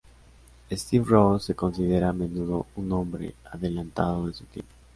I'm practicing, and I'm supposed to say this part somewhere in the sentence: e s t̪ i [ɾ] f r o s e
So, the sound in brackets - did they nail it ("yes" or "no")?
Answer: no